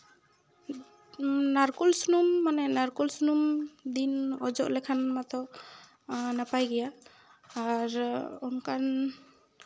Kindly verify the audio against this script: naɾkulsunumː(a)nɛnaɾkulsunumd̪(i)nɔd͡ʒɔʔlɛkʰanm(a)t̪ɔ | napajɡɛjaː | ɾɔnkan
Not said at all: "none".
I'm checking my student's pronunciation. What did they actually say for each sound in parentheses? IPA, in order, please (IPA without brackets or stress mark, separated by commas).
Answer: a, i, a